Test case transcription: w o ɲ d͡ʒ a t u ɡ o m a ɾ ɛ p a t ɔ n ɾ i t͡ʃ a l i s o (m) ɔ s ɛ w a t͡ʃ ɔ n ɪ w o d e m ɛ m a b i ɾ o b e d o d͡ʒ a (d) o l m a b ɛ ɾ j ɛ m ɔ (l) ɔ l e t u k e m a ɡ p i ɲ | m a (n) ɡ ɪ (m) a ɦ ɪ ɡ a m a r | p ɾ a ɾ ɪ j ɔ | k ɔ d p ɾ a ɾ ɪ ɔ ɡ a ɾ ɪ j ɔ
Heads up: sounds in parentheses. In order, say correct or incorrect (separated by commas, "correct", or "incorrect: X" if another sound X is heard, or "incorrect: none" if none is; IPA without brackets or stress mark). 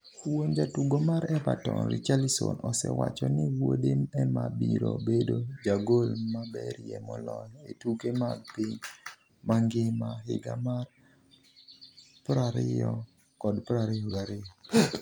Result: incorrect: n, incorrect: ɡ, correct, incorrect: ŋ, correct